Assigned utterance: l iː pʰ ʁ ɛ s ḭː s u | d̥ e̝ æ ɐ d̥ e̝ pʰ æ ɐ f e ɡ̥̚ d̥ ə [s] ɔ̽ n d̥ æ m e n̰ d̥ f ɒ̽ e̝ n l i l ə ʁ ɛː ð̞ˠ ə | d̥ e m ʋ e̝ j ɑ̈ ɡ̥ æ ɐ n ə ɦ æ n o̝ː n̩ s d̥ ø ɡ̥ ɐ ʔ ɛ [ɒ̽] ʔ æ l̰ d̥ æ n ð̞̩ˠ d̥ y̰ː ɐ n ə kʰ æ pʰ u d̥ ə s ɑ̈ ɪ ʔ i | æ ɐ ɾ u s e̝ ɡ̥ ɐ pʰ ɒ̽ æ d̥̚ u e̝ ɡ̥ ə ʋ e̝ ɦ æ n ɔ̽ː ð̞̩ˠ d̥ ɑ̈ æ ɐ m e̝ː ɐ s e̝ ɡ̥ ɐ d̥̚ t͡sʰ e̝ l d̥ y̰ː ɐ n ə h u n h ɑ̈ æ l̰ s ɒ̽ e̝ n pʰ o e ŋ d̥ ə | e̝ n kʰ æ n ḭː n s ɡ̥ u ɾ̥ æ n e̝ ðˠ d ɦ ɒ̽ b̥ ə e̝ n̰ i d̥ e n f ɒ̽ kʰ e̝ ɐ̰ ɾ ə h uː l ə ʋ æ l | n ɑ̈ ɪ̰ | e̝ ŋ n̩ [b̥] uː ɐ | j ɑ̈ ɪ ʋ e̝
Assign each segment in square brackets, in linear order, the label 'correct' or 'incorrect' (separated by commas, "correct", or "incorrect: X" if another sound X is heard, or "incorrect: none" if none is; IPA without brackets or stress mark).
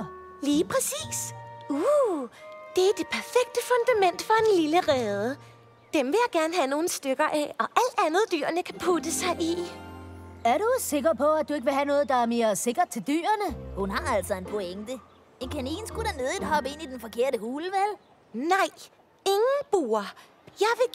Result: incorrect: f, correct, correct